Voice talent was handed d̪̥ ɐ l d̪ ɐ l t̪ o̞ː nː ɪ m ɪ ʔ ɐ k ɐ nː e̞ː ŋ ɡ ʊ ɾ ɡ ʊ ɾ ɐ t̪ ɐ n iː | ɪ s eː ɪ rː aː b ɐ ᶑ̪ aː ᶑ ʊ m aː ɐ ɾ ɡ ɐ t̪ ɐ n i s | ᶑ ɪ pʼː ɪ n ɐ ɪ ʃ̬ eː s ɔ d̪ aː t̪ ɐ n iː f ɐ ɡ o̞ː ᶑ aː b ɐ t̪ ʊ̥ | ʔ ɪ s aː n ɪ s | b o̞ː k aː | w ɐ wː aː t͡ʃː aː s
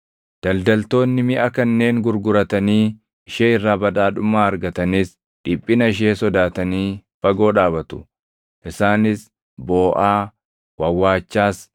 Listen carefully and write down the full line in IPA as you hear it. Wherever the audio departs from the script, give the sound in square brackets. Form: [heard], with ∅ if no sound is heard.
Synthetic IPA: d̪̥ ɐ l d̪ ɐ l t̪ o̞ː nː ɪ m ɪ ʔ ɐ k ɐ nː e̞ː ŋ ɡ ʊ ɾ ɡ ʊ ɾ ɐ t̪ ɐ n iː | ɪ [ʃ] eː ɪ rː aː b ɐ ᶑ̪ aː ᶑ ʊ m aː ɐ ɾ ɡ ɐ t̪ ɐ n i s | ᶑ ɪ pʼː ɪ n ɐ ɪ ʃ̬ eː s ɔ d̪ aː t̪ ɐ n iː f ɐ ɡ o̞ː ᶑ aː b ɐ t̪ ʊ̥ | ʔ ɪ s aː n ɪ s | b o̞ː [ʔ] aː | w ɐ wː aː t͡ʃː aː s